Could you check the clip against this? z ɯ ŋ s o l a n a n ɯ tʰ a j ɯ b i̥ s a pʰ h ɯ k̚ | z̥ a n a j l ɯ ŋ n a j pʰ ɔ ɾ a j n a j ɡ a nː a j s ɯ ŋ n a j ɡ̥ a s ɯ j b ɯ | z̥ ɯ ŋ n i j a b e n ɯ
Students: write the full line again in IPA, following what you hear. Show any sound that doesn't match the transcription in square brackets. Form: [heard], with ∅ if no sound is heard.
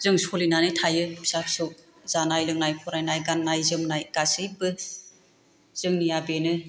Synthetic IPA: z ɯ ŋ s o l [i] n a n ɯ tʰ a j ɯ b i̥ s a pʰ [s] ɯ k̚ | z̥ a n a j l ɯ ŋ n a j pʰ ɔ ɾ a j n a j ɡ a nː a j [z] ɯ [m] n a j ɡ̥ a s ɯ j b ɯ | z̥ ɯ ŋ n i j a b e n ɯ